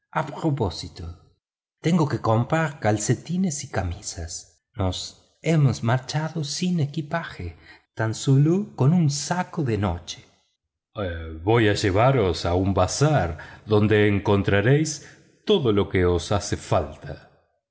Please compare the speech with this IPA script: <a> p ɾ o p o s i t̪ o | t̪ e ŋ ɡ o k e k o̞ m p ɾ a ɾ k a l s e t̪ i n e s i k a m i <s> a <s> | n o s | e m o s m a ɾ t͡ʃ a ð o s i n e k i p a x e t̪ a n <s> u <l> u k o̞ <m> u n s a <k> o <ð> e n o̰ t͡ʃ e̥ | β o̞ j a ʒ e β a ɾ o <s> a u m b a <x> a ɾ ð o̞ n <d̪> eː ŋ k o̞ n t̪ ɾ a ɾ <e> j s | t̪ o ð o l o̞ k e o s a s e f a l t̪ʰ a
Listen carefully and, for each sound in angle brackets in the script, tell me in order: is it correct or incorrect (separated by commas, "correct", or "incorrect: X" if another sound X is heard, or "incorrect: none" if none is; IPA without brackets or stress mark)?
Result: correct, correct, correct, correct, correct, incorrect: n, correct, correct, correct, incorrect: s, correct, correct